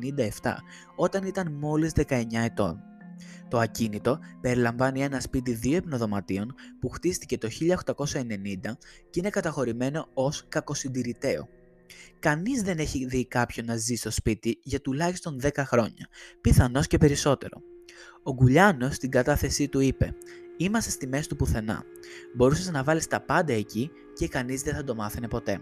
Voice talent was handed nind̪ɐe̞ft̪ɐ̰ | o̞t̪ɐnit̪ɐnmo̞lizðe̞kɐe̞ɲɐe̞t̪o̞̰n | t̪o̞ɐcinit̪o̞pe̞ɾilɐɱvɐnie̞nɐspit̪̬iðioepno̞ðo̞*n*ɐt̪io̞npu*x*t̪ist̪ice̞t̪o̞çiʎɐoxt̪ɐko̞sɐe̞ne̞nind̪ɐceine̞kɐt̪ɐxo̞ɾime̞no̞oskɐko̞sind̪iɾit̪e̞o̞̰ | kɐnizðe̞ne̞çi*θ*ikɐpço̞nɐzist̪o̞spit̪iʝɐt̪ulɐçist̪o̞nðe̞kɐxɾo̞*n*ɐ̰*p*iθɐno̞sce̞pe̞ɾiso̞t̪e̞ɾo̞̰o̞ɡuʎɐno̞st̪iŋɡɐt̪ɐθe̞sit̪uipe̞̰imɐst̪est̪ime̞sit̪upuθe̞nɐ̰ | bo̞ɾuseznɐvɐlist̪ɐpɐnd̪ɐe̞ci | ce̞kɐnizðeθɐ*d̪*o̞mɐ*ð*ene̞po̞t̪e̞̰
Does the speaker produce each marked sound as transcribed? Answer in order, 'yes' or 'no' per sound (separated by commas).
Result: no, yes, no, no, yes, yes, no